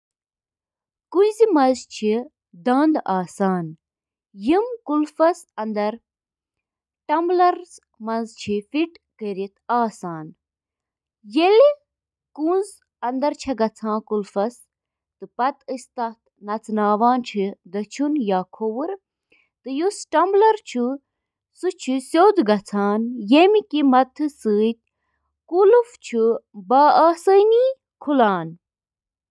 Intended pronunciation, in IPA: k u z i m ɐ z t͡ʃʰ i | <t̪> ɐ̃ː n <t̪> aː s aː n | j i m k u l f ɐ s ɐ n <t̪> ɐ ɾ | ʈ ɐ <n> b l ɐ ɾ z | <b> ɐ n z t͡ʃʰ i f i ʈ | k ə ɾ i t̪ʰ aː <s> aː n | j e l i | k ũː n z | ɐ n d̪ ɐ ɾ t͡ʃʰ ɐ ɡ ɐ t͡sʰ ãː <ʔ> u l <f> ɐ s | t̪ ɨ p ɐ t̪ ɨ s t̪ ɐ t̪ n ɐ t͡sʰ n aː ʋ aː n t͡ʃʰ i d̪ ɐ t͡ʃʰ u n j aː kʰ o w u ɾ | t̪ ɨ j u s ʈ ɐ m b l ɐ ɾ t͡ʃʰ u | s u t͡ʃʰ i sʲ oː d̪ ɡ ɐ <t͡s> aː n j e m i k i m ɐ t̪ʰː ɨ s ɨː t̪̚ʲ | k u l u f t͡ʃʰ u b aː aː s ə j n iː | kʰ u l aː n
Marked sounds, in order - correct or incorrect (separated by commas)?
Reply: incorrect, incorrect, incorrect, incorrect, incorrect, correct, incorrect, correct, incorrect